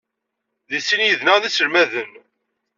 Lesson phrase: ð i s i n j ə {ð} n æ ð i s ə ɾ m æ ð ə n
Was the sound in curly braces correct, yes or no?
yes